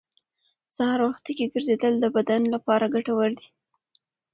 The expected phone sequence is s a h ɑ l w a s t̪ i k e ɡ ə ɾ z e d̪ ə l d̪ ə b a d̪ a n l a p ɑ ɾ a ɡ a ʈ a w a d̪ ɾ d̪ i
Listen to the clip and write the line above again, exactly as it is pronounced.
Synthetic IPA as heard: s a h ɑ ɾ w a x t̪ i k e ɡ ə ɾ z e d̪ ə l d̪ ə b a d̪ a n l a p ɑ ɾ a ɡ a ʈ a w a ɾ d̪ i